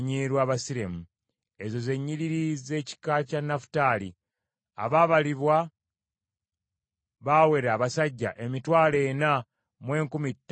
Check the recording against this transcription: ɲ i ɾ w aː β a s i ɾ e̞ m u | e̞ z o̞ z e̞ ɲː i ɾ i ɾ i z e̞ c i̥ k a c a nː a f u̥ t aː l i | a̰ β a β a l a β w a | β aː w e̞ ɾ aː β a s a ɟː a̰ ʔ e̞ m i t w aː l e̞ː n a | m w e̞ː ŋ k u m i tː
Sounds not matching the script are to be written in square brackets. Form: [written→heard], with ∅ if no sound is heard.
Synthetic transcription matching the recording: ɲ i ɾ w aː β a s i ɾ e̞ m u | e̞ z o̞ z e̞ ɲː i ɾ i ɾ i z e̞ c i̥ k a c a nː a f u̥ t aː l i | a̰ β a β a l [a→i] β w a | β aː w e̞ ɾ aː β a s a ɟː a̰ ʔ e̞ m i t w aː l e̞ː n a | m w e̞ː ŋ k u m i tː